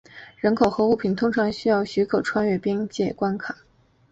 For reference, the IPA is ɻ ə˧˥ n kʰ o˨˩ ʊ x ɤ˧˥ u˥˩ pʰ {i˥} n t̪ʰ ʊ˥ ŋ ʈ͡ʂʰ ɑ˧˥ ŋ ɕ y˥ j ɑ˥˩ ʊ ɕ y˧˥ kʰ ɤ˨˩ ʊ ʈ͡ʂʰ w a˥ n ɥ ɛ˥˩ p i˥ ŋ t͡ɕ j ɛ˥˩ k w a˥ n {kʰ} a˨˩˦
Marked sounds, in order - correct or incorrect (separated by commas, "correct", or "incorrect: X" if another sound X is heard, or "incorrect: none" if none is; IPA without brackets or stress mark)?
incorrect: i˨˩, correct